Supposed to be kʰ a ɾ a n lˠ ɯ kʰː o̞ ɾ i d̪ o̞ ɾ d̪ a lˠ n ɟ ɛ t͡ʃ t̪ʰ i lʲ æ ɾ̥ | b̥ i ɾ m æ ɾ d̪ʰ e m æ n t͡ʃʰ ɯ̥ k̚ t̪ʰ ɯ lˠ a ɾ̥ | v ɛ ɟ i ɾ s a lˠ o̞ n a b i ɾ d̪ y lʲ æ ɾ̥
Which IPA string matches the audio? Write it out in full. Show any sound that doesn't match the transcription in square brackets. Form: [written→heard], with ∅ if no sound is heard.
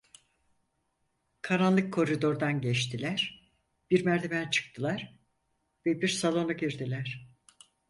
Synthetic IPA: kʰ a ɾ a n lˠ ɯ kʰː o̞ ɾ i d̪ o̞ ɾ d̪ a [lˠ→∅] n ɟ ɛ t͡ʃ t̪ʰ i lʲ æ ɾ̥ | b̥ i ɾ m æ ɾ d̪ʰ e m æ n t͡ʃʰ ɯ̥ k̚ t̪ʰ ɯ lˠ a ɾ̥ | v ɛ [ɟ→b] i ɾ s a lˠ o̞ n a [b→ɟ] i ɾ d̪ [y→i] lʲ æ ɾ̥